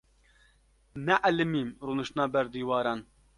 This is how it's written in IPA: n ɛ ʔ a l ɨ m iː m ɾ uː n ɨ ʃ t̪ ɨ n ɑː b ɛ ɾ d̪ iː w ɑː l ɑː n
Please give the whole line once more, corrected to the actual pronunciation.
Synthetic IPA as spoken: n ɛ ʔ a l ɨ m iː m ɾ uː n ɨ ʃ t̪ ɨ n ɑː b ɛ ɾ d̪ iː w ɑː ɾ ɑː n